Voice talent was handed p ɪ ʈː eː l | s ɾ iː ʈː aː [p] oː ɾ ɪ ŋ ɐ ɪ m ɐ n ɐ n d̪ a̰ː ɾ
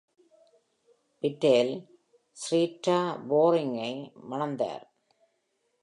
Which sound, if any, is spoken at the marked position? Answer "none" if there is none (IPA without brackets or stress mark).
b